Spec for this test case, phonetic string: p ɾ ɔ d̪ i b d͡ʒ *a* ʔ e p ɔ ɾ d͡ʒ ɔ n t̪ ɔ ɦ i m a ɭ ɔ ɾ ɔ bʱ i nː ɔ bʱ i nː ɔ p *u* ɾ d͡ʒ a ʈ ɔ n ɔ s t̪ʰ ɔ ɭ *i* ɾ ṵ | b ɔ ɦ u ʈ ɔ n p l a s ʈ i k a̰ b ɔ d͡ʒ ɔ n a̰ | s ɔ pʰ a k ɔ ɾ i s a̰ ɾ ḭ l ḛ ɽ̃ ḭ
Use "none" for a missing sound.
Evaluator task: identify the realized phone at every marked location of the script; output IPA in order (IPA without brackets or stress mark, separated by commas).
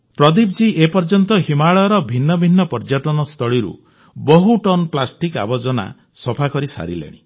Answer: i, ɔ, i